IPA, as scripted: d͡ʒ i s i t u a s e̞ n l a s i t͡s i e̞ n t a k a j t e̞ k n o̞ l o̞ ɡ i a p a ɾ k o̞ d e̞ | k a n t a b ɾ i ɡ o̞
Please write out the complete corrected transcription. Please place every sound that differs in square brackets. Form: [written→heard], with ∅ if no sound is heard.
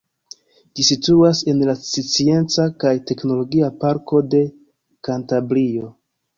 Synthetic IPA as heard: d͡ʒ i s i t u a s e̞ n l a s i t͡s i e̞ n [t→t͡s] a k a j t e̞ k n o̞ l o̞ ɡ i a p a ɾ k o̞ d e̞ | k a n t a b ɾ i [ɡ→∅] o̞